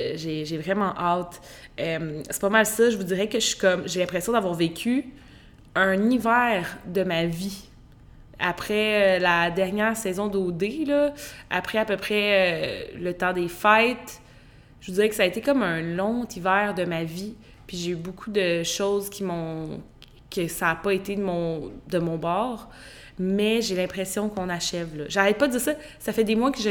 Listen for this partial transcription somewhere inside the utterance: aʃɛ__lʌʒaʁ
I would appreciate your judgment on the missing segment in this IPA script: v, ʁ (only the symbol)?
v